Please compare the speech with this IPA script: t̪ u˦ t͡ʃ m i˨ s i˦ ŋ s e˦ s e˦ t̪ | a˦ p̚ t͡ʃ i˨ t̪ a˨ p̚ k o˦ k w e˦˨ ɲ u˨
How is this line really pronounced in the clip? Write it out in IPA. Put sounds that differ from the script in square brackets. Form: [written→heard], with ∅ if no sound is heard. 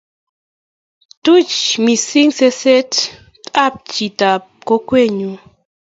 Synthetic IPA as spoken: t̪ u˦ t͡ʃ m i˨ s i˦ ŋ s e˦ s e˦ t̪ | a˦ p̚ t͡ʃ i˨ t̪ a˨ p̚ k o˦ k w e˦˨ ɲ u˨